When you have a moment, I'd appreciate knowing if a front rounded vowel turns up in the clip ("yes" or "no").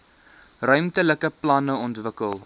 yes